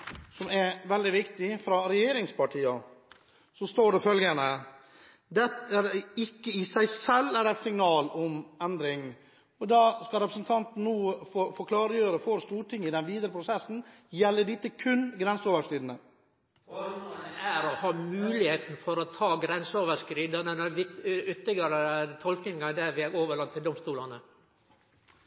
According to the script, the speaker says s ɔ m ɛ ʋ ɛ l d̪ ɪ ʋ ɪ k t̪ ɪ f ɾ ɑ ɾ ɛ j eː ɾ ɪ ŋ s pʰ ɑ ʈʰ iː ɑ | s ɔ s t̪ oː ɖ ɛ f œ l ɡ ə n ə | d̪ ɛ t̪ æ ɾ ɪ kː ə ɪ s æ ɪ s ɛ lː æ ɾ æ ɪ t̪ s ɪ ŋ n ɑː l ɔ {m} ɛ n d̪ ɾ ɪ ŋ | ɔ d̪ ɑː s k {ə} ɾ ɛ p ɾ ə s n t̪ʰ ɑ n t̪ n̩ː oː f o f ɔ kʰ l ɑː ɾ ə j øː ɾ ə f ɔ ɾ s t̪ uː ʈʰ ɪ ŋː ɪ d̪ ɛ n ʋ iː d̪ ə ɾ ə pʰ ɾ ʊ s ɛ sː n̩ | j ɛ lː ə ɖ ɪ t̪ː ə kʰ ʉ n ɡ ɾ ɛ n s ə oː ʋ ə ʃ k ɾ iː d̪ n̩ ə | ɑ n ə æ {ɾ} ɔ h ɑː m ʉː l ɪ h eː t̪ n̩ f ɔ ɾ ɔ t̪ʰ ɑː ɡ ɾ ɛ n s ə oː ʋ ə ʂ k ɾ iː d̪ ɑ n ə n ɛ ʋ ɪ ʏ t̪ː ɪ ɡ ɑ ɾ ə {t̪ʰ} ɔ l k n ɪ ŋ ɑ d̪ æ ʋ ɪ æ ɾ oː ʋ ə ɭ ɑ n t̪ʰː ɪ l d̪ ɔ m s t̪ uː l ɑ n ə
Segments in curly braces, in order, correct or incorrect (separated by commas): correct, incorrect, correct, correct